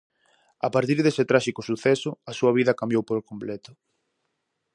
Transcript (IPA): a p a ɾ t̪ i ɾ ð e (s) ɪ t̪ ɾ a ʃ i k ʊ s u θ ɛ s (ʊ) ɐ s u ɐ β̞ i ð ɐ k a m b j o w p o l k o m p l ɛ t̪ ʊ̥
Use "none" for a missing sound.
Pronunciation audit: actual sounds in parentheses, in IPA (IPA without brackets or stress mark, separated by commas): s, ʊ